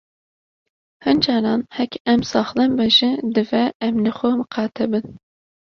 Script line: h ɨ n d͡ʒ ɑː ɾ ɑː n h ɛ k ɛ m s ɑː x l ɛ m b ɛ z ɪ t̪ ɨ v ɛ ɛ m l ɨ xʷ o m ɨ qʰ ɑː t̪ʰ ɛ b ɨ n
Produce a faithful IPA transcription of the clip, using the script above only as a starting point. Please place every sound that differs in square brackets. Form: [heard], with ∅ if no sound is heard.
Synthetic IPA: h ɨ n d͡ʒ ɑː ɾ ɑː n h ɛ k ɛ m s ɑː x l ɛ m b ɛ [ʒ] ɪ [d̪] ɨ v ɛ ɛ m l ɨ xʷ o m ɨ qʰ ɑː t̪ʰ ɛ b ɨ n